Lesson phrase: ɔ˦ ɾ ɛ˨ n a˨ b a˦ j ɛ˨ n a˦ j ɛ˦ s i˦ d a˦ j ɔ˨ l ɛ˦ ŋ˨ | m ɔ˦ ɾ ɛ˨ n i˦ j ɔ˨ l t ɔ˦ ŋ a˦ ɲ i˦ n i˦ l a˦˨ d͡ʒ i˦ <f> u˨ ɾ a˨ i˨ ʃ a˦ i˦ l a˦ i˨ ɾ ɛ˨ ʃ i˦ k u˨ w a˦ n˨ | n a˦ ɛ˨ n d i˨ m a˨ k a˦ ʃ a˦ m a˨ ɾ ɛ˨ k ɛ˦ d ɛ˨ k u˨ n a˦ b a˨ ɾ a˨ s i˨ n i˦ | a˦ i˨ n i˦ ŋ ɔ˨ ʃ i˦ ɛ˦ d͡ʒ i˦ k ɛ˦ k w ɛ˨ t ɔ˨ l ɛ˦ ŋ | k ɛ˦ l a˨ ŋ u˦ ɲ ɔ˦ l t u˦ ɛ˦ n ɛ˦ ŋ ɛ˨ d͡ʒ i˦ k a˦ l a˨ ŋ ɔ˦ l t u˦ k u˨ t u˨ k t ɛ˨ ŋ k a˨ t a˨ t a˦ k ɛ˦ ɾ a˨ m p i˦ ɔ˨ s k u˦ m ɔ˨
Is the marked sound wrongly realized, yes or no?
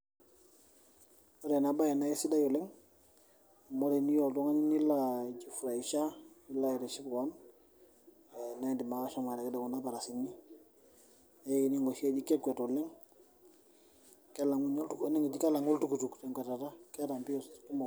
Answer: no